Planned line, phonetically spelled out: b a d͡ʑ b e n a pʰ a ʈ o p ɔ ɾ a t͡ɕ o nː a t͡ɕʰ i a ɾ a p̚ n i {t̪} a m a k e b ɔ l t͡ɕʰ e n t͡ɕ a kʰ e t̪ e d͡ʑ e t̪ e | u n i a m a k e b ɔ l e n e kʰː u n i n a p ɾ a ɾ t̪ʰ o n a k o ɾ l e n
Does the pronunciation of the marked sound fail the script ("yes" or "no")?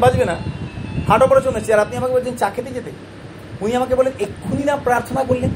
yes